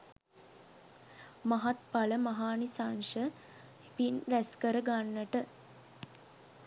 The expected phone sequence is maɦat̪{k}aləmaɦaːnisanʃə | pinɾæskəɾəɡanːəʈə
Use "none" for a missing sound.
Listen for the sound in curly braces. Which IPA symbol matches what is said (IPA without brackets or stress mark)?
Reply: p